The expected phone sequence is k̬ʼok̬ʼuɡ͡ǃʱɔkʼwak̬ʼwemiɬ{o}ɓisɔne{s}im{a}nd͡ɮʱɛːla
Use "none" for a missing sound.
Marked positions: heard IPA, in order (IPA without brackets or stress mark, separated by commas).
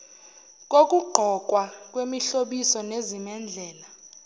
o, z, ɛ